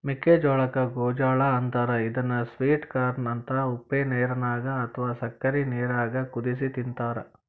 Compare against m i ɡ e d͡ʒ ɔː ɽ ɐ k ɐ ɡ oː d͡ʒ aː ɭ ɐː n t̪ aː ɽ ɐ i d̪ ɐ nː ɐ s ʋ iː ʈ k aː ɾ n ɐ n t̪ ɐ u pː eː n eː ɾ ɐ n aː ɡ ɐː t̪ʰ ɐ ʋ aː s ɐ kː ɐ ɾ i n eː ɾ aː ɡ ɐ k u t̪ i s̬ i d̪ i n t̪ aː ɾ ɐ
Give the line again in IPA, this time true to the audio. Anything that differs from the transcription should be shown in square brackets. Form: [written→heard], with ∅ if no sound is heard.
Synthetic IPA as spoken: m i [ɡ→k] e d͡ʒ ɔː [ɽ→ɭ] ɐ k ɐ ɡ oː d͡ʒ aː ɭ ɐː n t̪ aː [ɽ→ɾ] ɐ i d̪ ɐ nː ɐ s ʋ iː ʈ k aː ɾ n ɐ n t̪ ɐ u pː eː n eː ɾ ɐ n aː ɡ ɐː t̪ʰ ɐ ʋ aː s ɐ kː ɐ ɾ i n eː ɾ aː ɡ ɐ k u [t̪→d̪] i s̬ i [d̪→t̪] i n t̪ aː ɾ ɐ

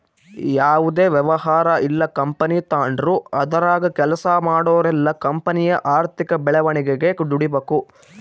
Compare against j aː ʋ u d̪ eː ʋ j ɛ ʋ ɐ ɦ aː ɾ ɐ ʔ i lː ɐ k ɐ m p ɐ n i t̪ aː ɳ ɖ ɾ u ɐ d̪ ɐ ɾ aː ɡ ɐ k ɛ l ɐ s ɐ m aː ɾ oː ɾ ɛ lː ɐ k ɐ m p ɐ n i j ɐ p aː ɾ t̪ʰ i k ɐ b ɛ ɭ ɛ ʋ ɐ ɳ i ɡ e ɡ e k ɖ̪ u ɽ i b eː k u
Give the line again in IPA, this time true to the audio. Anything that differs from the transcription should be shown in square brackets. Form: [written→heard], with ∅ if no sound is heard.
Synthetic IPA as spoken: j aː ʋ u d̪ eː ʋ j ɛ ʋ ɐ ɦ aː ɾ ɐ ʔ i lː ɐ k ɐ m p ɐ n i t̪ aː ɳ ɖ ɾ u ɐ d̪ ɐ ɾ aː ɡ ɐ k ɛ l ɐ s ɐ m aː [ɾ→ɽ] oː ɾ ɛ lː ɐ k ɐ m p ɐ n i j ɐ [p→ʔ] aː ɾ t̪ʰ i k ɐ b ɛ ɭ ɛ ʋ ɐ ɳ i ɡ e ɡ e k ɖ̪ u ɽ i b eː k u

